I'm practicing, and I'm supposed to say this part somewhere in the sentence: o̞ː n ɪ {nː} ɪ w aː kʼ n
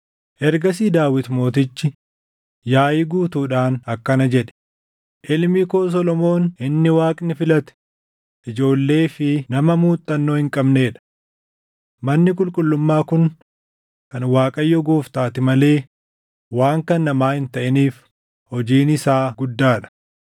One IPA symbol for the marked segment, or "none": nː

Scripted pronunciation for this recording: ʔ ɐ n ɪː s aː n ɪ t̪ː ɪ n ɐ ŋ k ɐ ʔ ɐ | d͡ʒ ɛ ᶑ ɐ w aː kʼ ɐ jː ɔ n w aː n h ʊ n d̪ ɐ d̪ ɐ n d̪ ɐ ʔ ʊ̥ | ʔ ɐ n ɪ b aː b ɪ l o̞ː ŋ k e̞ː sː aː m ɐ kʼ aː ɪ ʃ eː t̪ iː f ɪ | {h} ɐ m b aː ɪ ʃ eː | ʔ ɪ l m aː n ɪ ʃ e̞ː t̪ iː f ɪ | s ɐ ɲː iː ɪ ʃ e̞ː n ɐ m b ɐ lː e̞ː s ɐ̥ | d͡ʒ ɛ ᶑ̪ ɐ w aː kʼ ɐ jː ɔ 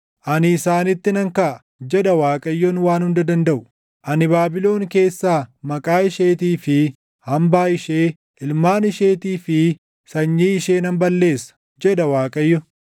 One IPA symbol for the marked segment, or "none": h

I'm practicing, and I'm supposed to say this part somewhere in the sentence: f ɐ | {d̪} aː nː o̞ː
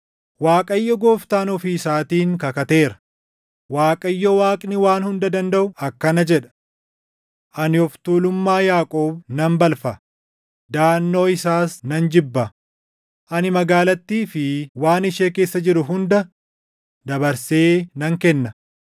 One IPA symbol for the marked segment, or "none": d̪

